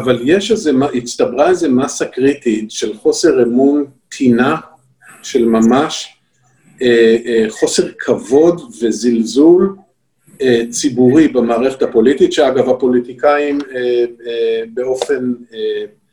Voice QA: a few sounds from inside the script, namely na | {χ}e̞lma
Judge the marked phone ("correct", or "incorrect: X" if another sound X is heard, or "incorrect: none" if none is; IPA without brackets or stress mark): incorrect: ʃ